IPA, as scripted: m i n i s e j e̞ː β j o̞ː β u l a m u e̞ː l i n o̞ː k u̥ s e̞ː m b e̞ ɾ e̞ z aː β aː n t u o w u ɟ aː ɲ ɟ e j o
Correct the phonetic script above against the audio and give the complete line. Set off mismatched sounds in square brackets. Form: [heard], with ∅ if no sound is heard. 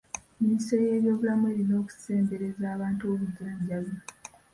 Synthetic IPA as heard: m i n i s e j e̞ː β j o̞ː β u l a m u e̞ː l i n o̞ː k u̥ s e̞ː m b e̞ ɾ e̞ z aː β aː n t u o [β] u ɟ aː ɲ ɟ [a] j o